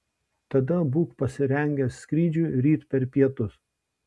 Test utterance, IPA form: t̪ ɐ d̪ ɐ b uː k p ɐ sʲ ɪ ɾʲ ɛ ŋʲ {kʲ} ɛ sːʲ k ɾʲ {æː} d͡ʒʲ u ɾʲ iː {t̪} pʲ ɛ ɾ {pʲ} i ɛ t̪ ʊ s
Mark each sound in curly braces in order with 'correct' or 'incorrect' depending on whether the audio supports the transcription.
incorrect: ɡʲ, incorrect: iː, correct, correct

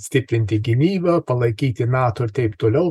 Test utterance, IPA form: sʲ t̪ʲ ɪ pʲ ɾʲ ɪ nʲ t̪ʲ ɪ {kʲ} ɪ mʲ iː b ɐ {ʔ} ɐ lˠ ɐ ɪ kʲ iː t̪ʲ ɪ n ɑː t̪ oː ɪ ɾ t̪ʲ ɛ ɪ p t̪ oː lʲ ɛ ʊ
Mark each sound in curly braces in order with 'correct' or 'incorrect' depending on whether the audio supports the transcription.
incorrect: ɡʲ, incorrect: p

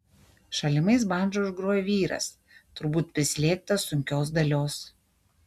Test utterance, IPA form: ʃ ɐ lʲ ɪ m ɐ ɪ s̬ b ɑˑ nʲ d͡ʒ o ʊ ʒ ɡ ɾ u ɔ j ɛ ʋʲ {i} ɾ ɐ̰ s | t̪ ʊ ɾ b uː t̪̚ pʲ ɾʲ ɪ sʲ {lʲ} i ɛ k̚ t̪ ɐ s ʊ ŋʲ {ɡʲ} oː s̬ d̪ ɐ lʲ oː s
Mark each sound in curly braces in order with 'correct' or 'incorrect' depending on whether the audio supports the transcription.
incorrect: iː, correct, incorrect: kʲ

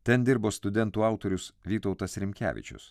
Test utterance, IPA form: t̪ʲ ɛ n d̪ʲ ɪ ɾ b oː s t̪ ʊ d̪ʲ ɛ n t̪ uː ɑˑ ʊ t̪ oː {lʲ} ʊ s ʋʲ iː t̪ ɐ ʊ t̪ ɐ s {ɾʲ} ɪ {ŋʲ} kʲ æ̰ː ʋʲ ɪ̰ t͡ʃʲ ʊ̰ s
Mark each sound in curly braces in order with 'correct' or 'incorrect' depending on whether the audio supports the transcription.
incorrect: ɾʲ, correct, incorrect: mʲ

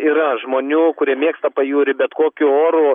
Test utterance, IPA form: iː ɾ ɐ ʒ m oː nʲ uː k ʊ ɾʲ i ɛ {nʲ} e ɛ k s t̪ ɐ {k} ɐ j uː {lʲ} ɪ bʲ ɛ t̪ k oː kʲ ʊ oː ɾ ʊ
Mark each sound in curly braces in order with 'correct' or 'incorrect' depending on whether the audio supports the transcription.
incorrect: mʲ, incorrect: p, incorrect: ɾʲ

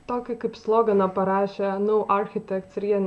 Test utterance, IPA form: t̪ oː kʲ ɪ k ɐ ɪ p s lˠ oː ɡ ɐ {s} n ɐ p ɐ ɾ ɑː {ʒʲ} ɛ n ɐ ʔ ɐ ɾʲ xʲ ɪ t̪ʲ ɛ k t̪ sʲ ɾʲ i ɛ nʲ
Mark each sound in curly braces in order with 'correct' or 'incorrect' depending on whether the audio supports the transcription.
incorrect: none, incorrect: ʃʲ

